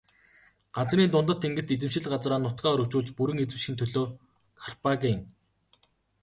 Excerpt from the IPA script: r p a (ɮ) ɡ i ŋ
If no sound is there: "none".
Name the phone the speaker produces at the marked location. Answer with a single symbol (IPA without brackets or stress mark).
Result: none